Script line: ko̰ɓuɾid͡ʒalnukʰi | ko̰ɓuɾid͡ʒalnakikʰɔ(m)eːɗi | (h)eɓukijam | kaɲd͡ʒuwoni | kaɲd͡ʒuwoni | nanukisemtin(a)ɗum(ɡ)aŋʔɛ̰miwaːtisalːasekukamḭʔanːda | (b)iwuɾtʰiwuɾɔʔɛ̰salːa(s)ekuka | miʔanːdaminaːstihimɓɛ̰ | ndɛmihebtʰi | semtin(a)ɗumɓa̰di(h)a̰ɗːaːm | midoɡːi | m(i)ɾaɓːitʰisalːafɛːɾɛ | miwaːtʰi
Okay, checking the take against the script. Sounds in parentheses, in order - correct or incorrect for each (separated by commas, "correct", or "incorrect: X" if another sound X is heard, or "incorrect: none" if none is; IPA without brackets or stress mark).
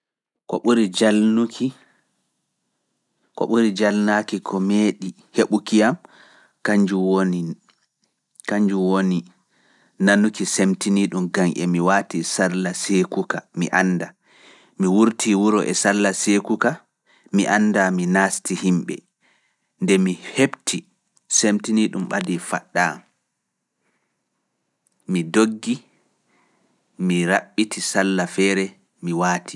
correct, correct, incorrect: i, correct, incorrect: m, correct, incorrect: i, incorrect: f, correct